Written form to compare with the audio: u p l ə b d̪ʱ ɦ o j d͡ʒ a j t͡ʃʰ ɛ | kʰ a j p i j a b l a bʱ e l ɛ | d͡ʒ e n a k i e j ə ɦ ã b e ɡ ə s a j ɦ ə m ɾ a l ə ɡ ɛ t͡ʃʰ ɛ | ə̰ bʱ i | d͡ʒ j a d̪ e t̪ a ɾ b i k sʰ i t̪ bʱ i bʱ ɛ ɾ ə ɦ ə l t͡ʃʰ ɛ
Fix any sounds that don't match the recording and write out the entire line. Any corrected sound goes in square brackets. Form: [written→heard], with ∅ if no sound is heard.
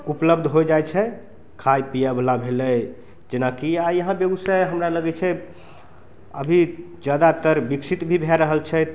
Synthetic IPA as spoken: u p l ə b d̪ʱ ɦ o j d͡ʒ a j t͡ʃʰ ɛ | kʰ a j p i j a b l a bʱ e l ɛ | d͡ʒ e n a k i [e→a] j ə ɦ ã b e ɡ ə s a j ɦ ə m ɾ a l ə ɡ ɛ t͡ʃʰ ɛ | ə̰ bʱ i | d͡ʒ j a d̪ [e→a] t̪ [a→ə] ɾ b i k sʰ i t̪ bʱ i bʱ ɛ ɾ ə ɦ ə l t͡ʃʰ ɛ